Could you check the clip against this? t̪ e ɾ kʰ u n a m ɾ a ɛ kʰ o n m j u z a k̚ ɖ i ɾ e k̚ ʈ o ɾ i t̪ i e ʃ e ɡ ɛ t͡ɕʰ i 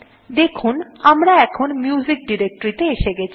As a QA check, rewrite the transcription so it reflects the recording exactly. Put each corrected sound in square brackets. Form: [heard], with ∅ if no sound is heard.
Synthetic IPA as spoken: [d̪] e [∅] kʰ u n a m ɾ a ɛ kʰ o n m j u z [i] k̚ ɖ i ɾ e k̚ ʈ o ɾ i t̪ [e] e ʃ e ɡ ɛ t͡ɕʰ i